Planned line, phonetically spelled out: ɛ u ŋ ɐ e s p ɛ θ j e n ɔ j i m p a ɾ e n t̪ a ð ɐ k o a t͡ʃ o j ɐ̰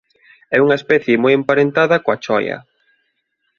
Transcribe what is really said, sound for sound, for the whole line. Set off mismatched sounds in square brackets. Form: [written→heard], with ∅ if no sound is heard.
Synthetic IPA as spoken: ɛ u ŋ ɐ e s p ɛ θ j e [n→m] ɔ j [i→e] m p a ɾ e n t̪ a ð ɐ k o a t͡ʃ [o→ɔ] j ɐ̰